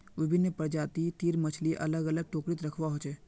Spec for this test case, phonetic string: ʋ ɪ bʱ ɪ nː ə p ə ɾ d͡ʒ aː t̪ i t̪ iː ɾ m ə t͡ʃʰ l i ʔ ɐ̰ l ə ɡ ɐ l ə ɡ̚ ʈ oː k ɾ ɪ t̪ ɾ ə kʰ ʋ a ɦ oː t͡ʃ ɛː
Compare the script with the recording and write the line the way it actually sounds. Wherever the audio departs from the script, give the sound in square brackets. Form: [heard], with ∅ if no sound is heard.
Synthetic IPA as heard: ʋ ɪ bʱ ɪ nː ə p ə ɾ d͡ʒ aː t̪ i t̪ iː ɾ m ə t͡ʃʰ l i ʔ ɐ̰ l ə ɡ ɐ l ə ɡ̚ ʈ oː k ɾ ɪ t̪ ɾ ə kʰ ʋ a ɦ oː t͡ʃ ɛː